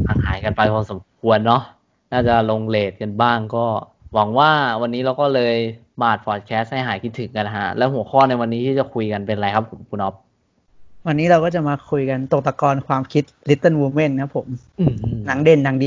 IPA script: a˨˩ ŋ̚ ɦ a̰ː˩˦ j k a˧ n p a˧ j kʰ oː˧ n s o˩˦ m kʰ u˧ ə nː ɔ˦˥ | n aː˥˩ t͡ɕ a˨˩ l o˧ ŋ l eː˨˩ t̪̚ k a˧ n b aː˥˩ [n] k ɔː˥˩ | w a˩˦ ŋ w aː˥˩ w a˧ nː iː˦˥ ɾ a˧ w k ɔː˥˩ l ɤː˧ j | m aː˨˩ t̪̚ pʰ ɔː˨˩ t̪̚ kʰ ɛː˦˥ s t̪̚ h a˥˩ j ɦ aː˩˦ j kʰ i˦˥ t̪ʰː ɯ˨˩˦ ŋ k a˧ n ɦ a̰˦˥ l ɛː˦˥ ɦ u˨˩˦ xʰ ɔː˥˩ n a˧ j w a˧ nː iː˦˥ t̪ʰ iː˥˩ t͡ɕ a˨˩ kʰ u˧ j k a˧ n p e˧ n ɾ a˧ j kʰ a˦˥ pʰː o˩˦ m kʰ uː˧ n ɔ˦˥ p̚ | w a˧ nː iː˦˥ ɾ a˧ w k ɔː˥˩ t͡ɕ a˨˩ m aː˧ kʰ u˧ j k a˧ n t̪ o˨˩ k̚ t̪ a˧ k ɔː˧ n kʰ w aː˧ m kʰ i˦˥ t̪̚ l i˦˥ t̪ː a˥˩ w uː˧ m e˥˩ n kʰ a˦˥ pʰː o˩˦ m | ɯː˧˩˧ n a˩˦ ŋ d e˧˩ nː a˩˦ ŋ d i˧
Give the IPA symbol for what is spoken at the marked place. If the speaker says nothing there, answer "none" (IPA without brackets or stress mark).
ŋ